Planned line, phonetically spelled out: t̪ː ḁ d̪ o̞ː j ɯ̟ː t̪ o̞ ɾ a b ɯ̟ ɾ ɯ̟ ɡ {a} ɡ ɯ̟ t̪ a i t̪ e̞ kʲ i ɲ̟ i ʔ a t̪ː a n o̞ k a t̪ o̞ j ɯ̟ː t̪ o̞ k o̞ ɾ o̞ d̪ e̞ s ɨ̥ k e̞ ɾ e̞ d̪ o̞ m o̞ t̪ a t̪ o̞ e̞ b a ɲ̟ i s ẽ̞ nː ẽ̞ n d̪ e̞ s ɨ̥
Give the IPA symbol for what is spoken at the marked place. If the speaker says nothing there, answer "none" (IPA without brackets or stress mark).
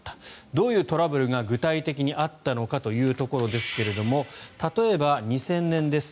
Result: a